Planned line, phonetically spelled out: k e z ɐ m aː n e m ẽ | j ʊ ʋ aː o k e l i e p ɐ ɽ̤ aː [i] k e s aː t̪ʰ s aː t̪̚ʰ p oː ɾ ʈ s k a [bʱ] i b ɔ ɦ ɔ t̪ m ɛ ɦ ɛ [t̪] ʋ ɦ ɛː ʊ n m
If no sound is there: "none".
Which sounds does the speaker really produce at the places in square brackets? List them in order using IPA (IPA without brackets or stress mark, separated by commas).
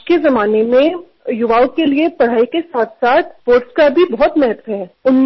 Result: i, bʱ, t̪